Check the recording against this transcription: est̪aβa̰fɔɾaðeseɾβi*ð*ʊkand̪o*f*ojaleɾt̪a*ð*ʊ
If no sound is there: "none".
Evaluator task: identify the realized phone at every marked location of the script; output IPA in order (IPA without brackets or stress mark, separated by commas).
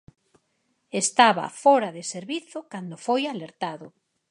θ, f, ð